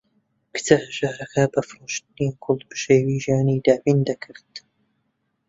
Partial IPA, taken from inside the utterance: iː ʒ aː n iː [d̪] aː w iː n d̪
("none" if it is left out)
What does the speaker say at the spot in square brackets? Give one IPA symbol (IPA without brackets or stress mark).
d̪